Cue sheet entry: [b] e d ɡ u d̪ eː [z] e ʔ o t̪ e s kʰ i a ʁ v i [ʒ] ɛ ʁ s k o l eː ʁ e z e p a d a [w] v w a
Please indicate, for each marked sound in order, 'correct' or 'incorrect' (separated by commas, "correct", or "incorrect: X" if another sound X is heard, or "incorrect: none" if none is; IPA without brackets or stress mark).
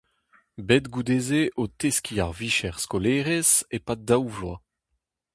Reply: correct, correct, incorrect: ʃ, correct